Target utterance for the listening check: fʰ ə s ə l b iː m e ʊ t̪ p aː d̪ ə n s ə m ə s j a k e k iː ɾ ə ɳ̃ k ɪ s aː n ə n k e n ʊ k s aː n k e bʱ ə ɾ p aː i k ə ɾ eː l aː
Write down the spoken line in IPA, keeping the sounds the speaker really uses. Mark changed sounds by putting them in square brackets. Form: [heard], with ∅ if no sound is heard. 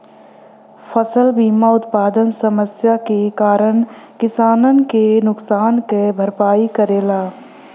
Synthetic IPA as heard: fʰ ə s ə l b iː m [a] ʊ t̪ p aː d̪ ə n s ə m ə s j a k e k [aː] ɾ ə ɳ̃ k ɪ s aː n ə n k e n ʊ k s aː n k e bʱ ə ɾ p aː i k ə ɾ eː l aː